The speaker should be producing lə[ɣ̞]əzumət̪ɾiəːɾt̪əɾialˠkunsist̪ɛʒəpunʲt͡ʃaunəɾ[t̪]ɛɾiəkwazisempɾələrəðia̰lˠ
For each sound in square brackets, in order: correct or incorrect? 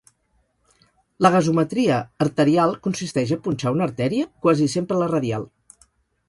correct, correct

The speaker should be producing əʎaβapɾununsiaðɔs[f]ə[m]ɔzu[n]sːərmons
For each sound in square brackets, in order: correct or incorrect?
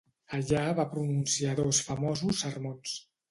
correct, correct, incorrect: none

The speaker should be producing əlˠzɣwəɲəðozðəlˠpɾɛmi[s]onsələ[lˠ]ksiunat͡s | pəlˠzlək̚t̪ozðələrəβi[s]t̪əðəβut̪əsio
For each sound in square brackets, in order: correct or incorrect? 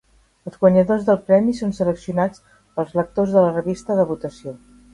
correct, incorrect: none, correct

